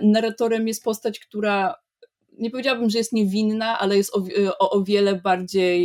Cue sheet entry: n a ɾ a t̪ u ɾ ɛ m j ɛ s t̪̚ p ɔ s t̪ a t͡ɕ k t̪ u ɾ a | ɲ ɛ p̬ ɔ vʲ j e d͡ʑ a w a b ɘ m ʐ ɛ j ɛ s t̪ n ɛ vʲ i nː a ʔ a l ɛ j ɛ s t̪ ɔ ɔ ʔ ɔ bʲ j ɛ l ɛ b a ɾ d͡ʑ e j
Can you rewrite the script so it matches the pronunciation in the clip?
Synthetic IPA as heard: n a ɾ a t̪ ɔ ɾ ɛ m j ɛ s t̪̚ p ɔ s t̪ a t͡ɕ k t̪ u ɾ a | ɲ ɛ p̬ ɔ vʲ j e d͡ʑ a w a b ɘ m ʐ ɛ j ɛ s t̪ ɲ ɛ vʲ i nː a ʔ a l ɛ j ɛ s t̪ ɔ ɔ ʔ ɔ vʲ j ɛ l ɛ b a ɾ d͡ʑ e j